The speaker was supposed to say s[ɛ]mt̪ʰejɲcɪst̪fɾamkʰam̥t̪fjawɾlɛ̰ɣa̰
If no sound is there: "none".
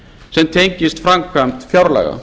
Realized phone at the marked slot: ɛ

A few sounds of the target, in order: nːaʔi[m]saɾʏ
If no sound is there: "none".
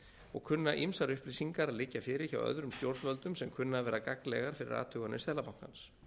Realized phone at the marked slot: m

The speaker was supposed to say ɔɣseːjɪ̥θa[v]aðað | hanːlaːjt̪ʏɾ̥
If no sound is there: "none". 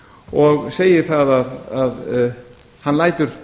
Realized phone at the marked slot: ð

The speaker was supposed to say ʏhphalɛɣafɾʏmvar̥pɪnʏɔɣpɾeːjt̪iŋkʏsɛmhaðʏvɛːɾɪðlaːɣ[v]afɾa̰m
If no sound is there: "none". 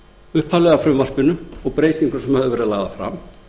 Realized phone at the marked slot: ð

